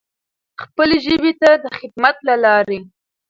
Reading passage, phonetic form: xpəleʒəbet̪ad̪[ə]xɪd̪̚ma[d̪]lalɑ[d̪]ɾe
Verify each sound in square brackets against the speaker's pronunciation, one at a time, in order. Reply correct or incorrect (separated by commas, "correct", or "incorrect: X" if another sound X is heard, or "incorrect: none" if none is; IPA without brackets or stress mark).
correct, incorrect: t̪, incorrect: none